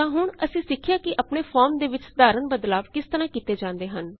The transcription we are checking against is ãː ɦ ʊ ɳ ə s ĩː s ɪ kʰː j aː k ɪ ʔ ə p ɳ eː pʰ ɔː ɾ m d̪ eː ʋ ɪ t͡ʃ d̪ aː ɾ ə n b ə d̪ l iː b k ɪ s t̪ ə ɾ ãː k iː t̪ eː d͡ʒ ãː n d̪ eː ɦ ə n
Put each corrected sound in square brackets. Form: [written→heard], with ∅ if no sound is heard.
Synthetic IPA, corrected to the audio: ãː ɦ ʊ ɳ ə s ĩː s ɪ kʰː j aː k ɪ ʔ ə p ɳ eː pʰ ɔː ɾ m d̪ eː ʋ ɪ t͡ʃ d̪ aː ɾ ə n b ə d̪ l [iː→aː] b k ɪ s t̪ ə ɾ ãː k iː t̪ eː d͡ʒ ãː n d̪ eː ɦ ə n